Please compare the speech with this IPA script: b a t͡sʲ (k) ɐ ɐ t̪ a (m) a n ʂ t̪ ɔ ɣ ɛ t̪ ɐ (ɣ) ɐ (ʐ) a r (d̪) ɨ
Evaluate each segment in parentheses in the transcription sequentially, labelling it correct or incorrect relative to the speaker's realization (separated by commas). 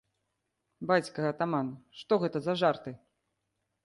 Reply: correct, correct, incorrect, correct, incorrect